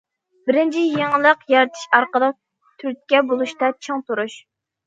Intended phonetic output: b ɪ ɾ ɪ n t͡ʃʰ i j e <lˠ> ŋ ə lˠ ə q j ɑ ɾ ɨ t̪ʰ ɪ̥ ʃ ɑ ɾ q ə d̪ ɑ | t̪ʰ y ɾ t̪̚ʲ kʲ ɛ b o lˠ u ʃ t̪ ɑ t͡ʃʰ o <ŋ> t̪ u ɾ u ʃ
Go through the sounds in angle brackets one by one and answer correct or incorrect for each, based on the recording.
incorrect: none, correct

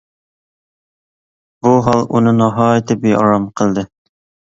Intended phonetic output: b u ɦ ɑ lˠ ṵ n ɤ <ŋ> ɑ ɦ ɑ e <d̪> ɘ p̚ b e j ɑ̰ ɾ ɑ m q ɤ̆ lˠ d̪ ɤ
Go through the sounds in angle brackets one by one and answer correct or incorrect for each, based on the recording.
incorrect: n, incorrect: t̪

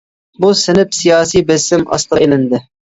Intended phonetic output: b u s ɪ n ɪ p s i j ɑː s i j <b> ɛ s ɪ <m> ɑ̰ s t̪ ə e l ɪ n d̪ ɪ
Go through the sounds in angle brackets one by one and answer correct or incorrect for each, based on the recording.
correct, correct

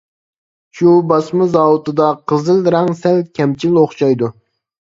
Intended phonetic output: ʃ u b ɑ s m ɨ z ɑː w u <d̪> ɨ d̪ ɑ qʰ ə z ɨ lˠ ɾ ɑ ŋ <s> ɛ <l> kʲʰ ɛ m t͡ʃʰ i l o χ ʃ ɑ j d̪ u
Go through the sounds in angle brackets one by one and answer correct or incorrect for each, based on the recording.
incorrect: t̪, correct, correct

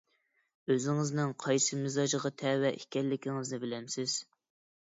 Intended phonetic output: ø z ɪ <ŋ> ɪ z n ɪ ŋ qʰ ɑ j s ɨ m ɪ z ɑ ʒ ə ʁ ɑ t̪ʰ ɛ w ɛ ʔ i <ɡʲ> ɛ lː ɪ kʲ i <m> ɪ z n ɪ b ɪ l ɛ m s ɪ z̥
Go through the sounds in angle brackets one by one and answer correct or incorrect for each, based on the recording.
correct, incorrect: kʲ, incorrect: ŋ

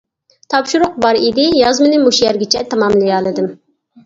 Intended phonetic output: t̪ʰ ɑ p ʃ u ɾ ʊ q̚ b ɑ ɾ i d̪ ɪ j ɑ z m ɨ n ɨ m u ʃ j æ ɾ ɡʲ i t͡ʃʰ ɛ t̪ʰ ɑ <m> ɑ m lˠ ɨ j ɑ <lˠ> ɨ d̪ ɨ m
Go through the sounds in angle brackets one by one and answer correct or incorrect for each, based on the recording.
correct, correct

